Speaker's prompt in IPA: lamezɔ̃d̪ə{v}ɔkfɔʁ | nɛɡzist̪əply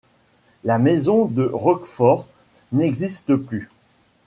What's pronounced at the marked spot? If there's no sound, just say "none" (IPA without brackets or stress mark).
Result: ʁ